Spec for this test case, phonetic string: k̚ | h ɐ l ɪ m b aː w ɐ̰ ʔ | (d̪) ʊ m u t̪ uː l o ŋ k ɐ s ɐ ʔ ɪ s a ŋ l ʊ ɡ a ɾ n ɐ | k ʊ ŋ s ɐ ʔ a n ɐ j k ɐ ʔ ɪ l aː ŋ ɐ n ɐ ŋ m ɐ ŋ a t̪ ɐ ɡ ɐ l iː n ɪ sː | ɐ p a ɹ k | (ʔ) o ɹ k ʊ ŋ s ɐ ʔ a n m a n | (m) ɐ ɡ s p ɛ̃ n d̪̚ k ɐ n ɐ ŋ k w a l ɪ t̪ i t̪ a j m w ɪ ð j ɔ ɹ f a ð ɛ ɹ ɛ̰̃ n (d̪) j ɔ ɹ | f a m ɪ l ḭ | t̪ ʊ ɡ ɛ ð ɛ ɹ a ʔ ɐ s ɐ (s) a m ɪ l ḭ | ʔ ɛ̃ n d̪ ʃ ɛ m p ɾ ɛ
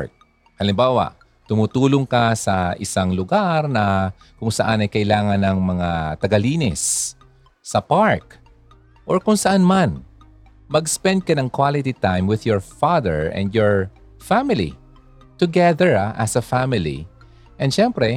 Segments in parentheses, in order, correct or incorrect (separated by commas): incorrect, correct, correct, correct, incorrect